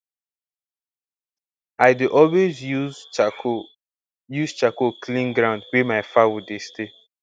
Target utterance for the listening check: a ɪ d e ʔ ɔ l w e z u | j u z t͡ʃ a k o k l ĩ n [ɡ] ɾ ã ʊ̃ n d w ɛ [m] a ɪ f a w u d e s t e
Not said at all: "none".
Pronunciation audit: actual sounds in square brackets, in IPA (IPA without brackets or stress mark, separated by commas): ɡ, m